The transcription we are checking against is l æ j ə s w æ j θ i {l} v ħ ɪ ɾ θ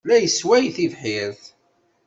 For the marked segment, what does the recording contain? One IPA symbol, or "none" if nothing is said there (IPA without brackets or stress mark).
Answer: none